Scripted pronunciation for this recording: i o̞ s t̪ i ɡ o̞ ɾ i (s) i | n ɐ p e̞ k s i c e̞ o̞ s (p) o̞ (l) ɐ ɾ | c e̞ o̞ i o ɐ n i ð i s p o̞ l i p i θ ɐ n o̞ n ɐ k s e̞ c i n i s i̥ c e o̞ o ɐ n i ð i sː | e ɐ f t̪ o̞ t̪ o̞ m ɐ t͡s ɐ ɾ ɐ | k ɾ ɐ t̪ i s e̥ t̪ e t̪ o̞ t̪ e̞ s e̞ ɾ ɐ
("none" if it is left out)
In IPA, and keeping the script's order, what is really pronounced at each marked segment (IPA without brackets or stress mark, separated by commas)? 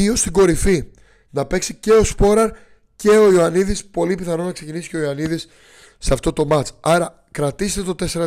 f, p, ɾ